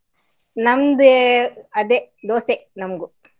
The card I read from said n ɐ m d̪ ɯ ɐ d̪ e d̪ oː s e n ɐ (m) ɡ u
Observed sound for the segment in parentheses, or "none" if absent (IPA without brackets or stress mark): m